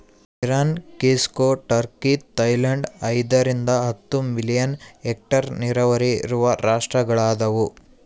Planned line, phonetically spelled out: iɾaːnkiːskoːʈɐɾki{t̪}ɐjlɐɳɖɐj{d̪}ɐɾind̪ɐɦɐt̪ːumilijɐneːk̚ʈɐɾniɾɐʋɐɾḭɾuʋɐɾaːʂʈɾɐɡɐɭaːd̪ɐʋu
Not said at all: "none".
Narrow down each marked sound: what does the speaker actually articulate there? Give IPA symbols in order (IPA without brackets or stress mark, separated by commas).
t̪, d̪